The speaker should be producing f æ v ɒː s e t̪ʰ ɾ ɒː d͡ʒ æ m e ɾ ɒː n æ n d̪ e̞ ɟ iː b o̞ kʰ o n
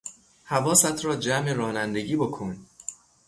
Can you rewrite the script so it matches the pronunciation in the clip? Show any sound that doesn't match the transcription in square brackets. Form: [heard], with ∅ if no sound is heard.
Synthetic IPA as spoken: [h] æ v ɒː s [æ] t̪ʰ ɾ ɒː d͡ʒ æ m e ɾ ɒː n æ n d̪ e̞ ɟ iː b o̞ kʰ o n